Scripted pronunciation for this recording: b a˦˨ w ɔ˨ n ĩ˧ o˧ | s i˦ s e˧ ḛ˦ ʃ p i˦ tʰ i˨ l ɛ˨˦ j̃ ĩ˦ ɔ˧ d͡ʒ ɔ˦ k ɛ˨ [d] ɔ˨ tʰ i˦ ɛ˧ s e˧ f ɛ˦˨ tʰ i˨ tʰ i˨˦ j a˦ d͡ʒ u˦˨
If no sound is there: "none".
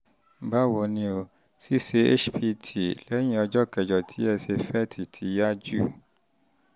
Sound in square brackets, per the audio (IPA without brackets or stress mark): d͡ʒ